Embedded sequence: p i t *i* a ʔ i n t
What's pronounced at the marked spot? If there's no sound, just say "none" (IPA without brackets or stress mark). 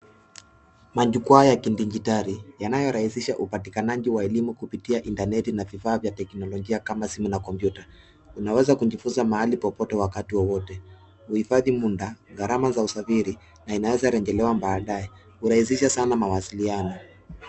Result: i